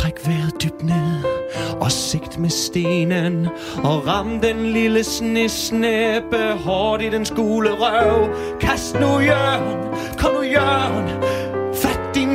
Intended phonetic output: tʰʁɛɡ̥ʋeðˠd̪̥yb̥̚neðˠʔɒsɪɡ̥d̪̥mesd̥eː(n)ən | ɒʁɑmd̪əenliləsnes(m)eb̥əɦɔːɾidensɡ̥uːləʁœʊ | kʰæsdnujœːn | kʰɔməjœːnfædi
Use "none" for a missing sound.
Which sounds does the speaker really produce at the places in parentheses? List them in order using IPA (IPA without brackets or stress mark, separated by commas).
n, n